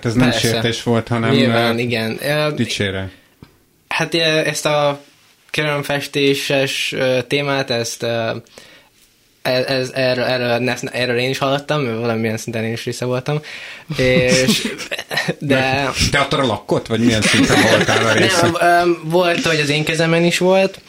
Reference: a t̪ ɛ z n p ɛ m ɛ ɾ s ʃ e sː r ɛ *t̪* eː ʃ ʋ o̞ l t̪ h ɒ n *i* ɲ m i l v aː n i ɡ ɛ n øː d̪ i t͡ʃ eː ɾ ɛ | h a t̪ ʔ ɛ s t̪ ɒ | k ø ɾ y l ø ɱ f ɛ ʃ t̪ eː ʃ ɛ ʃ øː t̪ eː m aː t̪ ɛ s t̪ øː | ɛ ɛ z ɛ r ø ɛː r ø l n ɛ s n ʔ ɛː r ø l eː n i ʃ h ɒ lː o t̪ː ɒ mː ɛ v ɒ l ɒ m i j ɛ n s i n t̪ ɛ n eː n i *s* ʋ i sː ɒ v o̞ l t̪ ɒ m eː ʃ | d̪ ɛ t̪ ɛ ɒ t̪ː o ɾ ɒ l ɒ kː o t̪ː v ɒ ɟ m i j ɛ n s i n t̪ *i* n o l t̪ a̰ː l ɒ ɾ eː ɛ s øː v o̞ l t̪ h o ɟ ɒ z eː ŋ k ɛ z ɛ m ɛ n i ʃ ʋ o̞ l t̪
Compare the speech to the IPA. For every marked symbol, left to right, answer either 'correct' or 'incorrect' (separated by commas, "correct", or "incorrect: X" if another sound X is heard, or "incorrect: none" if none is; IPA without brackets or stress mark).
correct, incorrect: ɛ, incorrect: ʃ, incorrect: ɛ